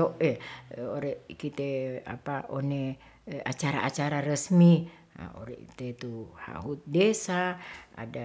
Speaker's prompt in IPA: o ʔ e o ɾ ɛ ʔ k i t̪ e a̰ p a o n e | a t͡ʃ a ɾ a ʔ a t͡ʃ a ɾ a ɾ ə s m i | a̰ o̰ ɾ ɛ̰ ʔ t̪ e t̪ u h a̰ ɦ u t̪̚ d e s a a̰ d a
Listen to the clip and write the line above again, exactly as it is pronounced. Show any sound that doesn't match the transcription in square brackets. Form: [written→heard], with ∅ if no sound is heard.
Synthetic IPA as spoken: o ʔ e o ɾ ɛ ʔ k i t̪ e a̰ p a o n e | a t͡ʃ a ɾ a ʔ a t͡ʃ a ɾ a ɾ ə s m i | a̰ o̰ ɾ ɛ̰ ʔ t̪ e t̪ u h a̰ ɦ u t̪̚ d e s a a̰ d a